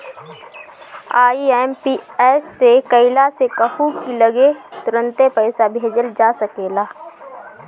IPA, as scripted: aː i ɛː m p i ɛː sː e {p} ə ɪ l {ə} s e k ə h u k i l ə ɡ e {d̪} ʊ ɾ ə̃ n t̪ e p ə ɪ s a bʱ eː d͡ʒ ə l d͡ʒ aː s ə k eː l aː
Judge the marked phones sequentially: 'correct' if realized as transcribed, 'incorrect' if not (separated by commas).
incorrect, incorrect, incorrect